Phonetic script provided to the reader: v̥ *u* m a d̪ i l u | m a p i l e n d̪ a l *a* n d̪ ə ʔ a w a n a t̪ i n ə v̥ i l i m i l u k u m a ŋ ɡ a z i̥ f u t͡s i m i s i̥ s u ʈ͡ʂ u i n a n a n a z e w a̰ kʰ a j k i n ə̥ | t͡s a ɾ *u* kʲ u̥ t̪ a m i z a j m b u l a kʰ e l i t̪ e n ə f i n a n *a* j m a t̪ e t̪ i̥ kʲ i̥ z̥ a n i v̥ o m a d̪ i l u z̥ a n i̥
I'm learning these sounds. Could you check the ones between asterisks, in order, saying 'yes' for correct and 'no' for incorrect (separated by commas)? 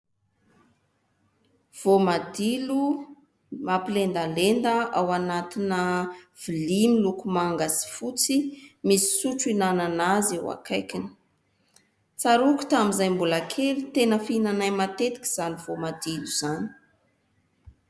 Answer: no, no, yes, yes